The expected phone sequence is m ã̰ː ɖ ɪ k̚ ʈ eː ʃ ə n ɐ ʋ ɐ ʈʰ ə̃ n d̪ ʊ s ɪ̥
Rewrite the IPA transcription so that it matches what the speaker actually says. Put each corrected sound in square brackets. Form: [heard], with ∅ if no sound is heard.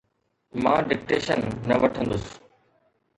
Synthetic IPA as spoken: m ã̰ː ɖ ɪ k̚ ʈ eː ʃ ə [nː] ɐ ʋ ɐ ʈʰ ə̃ n d̪ ʊ s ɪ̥